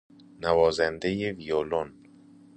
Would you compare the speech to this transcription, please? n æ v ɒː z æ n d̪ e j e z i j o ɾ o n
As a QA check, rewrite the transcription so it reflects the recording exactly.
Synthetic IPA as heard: n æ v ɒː z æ n d̪ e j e v i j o l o n

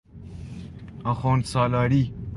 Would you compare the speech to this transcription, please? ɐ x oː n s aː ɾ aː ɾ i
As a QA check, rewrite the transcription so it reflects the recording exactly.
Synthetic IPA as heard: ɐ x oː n s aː l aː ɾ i

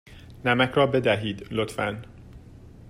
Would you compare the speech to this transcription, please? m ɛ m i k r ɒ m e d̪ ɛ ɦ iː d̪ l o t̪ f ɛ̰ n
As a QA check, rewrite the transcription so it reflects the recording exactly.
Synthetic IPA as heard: n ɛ m ɛ k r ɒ b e d̪ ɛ ɦ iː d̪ l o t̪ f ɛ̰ n

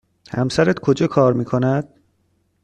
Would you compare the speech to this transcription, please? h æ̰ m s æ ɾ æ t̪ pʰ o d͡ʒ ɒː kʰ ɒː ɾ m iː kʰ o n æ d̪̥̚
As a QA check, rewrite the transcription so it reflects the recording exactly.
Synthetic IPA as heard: h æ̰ m s æ ɾ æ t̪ kʰ o d͡ʒ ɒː kʰ ɒː ɾ m iː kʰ o n æ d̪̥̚

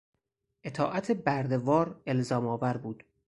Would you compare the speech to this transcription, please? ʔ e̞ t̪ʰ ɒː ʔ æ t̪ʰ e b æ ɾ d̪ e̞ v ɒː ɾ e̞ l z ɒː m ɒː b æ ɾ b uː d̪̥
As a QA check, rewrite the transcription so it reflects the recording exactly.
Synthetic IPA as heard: ʔ e̞ t̪ʰ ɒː ʔ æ t̪ʰ e b æ ɾ d̪ e̞ v ɒː ɾ e̞ l z ɒː m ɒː v æ ɾ b uː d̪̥

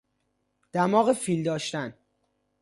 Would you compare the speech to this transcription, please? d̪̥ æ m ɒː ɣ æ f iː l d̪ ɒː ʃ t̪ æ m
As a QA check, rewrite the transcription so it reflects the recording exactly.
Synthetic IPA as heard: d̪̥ æ m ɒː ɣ e f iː l d̪ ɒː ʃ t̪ æ n

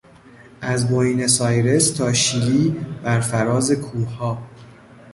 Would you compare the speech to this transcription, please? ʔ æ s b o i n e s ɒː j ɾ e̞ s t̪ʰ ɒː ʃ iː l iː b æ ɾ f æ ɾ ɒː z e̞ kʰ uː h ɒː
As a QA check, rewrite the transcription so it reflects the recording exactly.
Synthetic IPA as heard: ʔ æ z b o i n e s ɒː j ɾ e̞ s t̪ʰ ɒː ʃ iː l iː b æ ɾ f æ ɾ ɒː z e̞ kʰ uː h ɒː

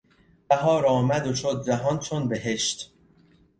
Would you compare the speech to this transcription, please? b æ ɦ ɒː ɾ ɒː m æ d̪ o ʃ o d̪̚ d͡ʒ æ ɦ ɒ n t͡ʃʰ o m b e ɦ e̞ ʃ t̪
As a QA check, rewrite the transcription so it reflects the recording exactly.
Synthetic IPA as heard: b æ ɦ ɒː ɾ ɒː m æ d̪ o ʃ o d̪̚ d͡ʒ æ ɦ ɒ n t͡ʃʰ o n b e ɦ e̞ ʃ t̪

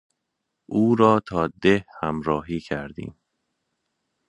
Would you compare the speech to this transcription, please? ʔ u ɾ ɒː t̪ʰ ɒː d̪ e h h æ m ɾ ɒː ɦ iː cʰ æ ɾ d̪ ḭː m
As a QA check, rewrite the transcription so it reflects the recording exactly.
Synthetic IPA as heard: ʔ uː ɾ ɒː t̪ʰ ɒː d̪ e h h æ m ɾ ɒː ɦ iː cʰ æ ɾ d̪ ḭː m

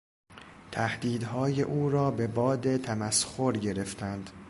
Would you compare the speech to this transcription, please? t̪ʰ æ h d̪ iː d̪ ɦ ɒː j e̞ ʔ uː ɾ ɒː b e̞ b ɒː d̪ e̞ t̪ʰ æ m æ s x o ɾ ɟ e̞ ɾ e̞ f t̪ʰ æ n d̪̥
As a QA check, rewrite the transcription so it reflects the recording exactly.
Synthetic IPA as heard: t̪ʰ æ h d̪ iː d̪ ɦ ɒː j e̞ ʔ uː ɾ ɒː b e̞ b ɒː d̪ e̞ t̪ʰ æ m æ s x o ɾ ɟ e̞ ɾ e̞ f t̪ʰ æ n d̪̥

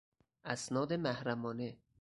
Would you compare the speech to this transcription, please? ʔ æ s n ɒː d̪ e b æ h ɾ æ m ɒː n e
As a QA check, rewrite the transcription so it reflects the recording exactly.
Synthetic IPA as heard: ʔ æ s n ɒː d̪ e m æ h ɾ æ m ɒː n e

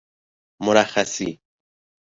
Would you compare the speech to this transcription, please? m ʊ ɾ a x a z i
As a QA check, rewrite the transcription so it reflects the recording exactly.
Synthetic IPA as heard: m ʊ ɾ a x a s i

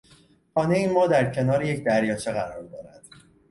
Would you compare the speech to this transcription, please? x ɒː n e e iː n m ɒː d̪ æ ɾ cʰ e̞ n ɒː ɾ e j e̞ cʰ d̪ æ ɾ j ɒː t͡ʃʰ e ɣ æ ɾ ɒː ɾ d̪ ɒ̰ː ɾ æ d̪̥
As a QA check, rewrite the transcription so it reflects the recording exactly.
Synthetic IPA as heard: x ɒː n e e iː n m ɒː d̪ æ ɾ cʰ e̞ n ɒː ɾ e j e̞ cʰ d̪ æ ɾ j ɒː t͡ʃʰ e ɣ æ ɾ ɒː ɾ d̪ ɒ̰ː ɾ æ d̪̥

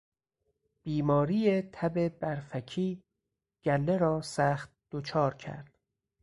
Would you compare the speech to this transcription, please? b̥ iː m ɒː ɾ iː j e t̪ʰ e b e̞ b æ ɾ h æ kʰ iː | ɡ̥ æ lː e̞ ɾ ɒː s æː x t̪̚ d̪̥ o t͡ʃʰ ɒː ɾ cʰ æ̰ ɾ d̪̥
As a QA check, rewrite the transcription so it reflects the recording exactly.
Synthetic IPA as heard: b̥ iː m ɒː ɾ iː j e t̪ʰ æ b e̞ b æ ɾ f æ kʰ iː | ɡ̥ æ lː e̞ ɾ ɒː s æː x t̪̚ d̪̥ o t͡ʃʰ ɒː ɾ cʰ æ̰ ɾ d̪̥

